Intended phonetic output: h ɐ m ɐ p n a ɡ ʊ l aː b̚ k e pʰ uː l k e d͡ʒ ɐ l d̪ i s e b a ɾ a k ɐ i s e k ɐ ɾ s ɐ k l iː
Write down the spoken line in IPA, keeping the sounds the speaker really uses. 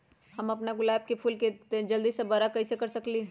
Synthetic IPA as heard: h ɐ m ɐ p n a ɡ ʊ l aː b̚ k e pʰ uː l k e d͡ʒ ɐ l d̪ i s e b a ɾ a k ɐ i s e k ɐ ɾ s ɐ k l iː